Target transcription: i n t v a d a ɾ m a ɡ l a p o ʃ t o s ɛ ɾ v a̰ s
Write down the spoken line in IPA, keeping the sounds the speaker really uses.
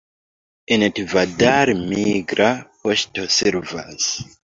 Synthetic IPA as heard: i n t v a d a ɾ m i ɡ ɾ a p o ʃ t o s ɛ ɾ v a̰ s